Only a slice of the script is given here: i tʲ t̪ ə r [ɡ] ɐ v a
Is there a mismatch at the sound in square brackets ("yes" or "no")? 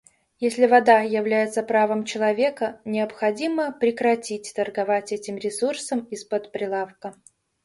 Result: no